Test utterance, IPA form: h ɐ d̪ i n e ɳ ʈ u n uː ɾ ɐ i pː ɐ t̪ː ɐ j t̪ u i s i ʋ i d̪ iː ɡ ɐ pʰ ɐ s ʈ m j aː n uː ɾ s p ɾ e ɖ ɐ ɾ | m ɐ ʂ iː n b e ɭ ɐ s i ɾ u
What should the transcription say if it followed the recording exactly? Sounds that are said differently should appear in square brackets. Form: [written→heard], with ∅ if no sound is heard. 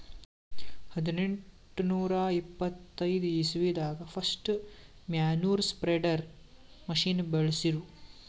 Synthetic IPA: h ɐ d̪ i n e ɳ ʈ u n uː ɾ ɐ i pː ɐ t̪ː ɐ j [t̪→d̪] u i s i ʋ i d̪ [iː→aː] ɡ ɐ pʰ ɐ s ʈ m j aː n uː ɾ s p ɾ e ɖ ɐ ɾ | m ɐ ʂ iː n b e ɭ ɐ s i ɾ u